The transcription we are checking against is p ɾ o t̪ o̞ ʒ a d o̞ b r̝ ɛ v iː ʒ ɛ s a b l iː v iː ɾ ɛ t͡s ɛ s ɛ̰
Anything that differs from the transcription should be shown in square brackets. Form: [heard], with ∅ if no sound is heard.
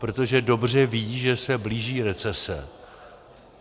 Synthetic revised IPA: p ɾ o t̪ o̞ ʒ [ɛ] d o̞ b r̝ ɛ v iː ʒ ɛ s [ɛ] b l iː [ʒ] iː ɾ ɛ t͡s ɛ s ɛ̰